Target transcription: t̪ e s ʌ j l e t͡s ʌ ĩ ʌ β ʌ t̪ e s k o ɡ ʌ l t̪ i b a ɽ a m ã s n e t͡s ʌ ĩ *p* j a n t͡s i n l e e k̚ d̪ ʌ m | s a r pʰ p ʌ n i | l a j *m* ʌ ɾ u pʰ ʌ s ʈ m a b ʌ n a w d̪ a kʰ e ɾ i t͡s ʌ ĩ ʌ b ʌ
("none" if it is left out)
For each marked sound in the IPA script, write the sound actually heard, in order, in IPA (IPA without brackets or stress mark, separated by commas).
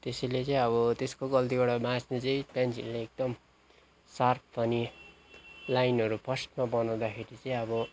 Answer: p, n